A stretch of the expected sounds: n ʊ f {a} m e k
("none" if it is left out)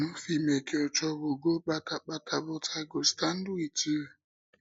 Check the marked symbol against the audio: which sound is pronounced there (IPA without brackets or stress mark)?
i